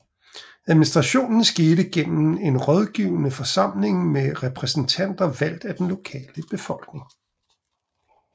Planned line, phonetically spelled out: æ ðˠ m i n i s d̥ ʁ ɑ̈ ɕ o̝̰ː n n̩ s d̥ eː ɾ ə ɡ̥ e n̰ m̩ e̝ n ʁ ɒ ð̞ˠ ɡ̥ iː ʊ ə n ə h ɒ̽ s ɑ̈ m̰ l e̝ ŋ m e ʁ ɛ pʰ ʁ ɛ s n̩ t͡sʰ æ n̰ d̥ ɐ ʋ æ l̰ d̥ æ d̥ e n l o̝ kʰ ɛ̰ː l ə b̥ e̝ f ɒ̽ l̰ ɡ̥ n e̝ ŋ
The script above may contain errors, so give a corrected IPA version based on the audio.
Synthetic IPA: æ ðˠ m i n i s d̥ ʁ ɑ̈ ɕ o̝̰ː n n̩ s ɡ̥ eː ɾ ə ɡ̥ e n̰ m̩ e̝ n ʁ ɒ ð̞ˠ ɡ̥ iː ʊ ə n ə f ɒ̽ s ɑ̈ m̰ l e̝ ŋ m e ʁ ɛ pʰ ʁ ɛ s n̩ t͡sʰ æ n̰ d̥ ɐ ʋ æ l̰ d̥ æ d̥ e n l o̝ kʰ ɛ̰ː l ə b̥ e̝ f ɒ̽ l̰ ɡ̥ n e̝ ŋ